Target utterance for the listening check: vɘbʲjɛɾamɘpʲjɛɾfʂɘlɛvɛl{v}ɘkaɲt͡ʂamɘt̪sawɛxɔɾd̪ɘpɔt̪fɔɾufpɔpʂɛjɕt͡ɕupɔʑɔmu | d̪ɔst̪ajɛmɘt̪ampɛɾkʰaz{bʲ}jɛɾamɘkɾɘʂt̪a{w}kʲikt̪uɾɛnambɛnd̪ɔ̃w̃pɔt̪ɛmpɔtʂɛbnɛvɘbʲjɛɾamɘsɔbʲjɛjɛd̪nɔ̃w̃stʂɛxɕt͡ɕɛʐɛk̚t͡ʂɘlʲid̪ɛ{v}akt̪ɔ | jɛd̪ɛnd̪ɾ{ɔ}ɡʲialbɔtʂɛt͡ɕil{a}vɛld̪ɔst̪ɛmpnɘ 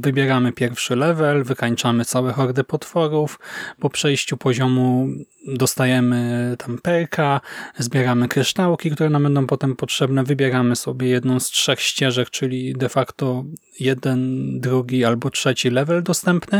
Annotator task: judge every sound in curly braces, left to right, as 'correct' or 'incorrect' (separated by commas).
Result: correct, correct, correct, incorrect, incorrect, incorrect